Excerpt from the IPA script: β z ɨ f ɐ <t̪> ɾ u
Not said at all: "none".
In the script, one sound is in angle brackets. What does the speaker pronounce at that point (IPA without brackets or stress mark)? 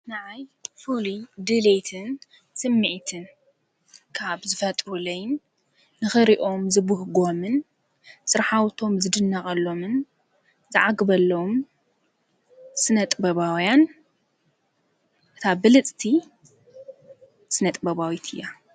t̪ʼ